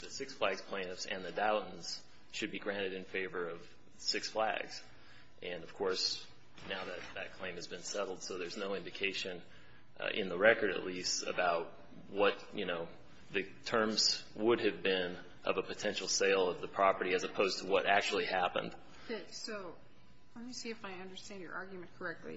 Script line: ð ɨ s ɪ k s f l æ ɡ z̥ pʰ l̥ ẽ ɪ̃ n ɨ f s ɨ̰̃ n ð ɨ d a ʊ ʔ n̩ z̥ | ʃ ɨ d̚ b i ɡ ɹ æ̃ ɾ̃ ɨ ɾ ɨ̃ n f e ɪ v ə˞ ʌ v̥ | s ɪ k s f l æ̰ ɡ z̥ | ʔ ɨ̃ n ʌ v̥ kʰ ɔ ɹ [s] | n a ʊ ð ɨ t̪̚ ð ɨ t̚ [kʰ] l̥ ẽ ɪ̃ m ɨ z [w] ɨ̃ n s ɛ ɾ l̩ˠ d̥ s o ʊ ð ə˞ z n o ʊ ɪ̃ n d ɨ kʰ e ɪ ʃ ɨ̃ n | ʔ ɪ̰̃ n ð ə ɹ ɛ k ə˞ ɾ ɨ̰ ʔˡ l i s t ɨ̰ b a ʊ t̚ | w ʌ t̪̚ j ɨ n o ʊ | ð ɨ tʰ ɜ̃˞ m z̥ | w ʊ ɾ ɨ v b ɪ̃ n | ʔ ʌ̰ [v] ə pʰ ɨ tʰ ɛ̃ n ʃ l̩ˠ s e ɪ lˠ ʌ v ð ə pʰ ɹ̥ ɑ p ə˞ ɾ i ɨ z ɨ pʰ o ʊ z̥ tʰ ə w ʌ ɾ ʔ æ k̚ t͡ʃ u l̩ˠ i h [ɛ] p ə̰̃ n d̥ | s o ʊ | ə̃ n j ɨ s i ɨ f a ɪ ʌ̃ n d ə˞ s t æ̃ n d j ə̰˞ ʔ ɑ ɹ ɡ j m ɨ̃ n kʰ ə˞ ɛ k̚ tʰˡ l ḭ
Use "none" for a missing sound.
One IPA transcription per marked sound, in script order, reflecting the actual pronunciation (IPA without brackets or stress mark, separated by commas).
s, kʰ, b, v, æ